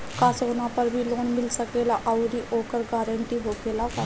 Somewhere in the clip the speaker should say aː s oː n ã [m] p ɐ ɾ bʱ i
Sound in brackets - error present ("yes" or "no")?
yes